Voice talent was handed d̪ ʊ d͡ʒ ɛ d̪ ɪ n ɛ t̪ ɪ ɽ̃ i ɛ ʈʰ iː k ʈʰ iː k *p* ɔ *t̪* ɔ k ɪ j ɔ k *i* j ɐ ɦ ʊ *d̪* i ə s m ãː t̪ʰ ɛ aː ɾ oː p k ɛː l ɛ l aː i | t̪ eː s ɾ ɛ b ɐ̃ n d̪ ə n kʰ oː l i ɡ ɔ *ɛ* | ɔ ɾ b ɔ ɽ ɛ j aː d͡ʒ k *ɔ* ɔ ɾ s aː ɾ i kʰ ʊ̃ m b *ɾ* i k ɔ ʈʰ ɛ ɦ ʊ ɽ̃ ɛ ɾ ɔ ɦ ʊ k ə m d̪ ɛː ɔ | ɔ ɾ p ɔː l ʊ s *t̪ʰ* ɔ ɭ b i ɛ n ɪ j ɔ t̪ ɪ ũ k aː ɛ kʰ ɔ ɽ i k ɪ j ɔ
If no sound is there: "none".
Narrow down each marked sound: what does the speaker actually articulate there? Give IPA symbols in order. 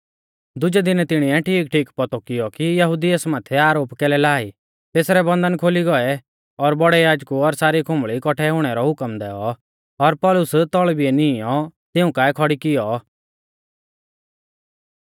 p, t̪, i, d̪, ɛ, u, ɭ, t̪

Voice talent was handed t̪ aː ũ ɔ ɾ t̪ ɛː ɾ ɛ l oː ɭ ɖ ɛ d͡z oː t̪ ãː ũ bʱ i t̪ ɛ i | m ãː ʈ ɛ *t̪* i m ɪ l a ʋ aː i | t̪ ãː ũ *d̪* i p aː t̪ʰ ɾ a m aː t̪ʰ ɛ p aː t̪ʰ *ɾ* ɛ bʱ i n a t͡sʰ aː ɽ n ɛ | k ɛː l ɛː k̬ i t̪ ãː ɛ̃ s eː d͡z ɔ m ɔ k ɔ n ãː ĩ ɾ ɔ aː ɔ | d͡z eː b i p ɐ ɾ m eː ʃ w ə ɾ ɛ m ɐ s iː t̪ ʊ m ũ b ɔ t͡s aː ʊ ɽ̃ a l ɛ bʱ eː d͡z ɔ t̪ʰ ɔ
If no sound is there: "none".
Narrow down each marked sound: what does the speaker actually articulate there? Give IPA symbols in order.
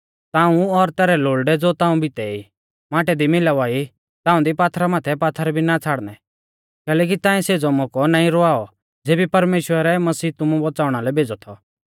d̪, d̪, ɾ

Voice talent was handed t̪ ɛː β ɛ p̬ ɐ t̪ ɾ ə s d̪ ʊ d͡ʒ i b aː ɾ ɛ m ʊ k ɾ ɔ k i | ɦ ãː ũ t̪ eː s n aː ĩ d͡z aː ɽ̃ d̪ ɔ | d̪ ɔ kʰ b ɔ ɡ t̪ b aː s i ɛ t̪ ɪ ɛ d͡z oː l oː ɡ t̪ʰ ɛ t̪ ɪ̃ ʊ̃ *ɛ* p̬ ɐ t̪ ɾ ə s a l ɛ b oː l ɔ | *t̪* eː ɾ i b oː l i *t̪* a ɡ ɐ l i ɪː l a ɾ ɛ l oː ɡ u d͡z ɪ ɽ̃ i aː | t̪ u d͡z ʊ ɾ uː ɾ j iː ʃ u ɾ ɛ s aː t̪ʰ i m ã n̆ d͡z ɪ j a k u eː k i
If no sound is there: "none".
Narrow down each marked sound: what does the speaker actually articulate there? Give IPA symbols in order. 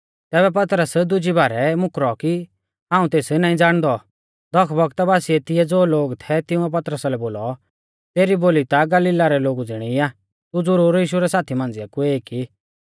ɛ, t̪, t̪

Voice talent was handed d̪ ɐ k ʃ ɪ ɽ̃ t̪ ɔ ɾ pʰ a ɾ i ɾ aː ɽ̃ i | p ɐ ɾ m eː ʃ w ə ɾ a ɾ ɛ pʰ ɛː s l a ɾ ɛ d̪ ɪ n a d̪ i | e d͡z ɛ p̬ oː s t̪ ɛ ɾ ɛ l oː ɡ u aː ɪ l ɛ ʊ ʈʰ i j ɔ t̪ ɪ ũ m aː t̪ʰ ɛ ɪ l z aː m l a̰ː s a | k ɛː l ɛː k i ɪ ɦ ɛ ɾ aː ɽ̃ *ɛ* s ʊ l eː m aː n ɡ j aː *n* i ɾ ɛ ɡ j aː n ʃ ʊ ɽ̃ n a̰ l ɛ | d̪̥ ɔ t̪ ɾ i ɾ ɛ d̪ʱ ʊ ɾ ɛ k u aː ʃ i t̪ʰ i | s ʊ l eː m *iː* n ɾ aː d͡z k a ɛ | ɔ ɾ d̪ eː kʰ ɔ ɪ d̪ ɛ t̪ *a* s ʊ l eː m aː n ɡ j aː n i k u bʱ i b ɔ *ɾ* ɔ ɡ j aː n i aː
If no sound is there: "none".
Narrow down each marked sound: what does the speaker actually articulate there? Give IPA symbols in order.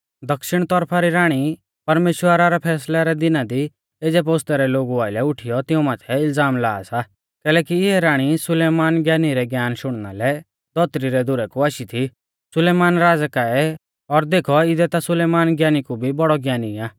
i, n, aː, a, ɽ

